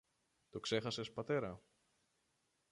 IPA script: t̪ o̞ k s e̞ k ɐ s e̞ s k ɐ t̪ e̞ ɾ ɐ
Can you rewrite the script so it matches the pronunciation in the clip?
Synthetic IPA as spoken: t̪ o̞ k s e̞ x ɐ s e̞ s p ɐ t̪ e̞ ɾ ɐ

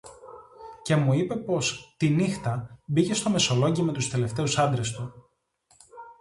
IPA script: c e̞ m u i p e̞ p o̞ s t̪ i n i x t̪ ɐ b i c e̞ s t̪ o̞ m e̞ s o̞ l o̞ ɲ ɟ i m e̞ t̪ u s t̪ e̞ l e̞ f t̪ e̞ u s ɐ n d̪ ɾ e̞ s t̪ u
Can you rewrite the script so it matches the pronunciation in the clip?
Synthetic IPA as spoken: c e̞ m u i p e̞ p o̞ s t̪ i n i x t̪ ɐ b i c e̞ s t̪ o̞ m e̞ s o̞ l o̞ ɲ ɟ i m e̞ t̪ u s t̪ e̞ l e̞ f t̪ e̞ u s ɐ n d̪ ɾ e̞ s t̪ u

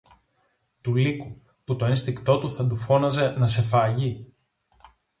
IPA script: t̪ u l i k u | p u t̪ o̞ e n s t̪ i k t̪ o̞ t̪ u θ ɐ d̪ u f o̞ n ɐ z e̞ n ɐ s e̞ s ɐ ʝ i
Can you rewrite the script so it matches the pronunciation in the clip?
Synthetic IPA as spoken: t̪ u l i k u | p u t̪ o̞ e n s t̪ i k t̪ o̞ t̪ u θ ɐ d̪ u f o̞ n ɐ z e̞ n ɐ s e̞ f ɐ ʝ i

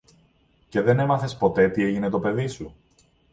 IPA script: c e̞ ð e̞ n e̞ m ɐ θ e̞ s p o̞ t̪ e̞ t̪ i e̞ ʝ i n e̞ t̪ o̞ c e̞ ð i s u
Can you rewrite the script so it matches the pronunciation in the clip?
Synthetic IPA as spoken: c e̞ ð e̞ n e̞ m ɐ θ e̞ s p o̞ t̪ e̞ t̪ i e̞ ʝ i n e̞ t̪ o̞ p e̞ ð i s u

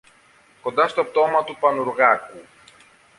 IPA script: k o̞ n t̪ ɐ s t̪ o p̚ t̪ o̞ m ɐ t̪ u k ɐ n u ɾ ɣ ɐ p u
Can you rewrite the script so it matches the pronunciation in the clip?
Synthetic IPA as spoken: k o̞ n d̪ ɐ s t̪ o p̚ t̪ o̞ m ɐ t̪ u p ɐ n u ɾ ɣ ɐ k u

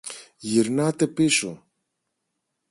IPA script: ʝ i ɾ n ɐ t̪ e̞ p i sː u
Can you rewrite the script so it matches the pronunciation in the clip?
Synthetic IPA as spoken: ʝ i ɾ n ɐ t̪ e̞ p i s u

